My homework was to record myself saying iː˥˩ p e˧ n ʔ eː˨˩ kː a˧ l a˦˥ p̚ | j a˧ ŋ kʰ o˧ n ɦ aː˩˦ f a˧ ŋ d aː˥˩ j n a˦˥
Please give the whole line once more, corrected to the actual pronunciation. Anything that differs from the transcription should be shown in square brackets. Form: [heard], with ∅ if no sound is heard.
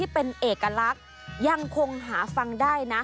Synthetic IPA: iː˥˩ p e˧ n ʔ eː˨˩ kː a˧ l a˦˥ [k̚] | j a˧ ŋ kʰ o˧ [ŋ] ɦ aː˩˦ f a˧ ŋ d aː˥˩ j n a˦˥